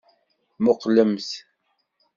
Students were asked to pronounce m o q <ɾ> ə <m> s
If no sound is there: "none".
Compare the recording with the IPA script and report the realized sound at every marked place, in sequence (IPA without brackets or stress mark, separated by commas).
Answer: l, m